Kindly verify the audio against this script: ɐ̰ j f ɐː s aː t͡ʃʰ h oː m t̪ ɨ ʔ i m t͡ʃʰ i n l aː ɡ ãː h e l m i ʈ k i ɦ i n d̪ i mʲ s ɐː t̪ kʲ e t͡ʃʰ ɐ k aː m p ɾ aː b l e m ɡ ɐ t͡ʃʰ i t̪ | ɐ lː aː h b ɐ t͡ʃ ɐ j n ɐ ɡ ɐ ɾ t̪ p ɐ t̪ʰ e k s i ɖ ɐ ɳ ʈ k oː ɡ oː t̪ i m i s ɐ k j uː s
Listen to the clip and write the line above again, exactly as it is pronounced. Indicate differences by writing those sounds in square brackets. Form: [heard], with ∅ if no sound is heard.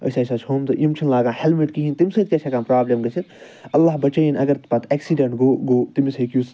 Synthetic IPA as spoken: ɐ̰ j [s] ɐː s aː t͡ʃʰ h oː m t̪ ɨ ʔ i m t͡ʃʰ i n l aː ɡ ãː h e l m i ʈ k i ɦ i n [t̪] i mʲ s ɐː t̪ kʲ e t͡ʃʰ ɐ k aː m p ɾ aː b l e m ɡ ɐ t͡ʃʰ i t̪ | ɐ lː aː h b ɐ t͡ʃ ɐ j n ɐ ɡ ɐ ɾ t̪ p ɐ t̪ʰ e k s i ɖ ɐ ɳ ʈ [ɡ] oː ɡ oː t̪ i m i s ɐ k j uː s